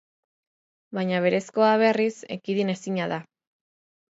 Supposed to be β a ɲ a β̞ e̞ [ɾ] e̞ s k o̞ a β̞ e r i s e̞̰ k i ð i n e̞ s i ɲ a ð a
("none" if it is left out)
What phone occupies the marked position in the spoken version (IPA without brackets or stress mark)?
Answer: ɾ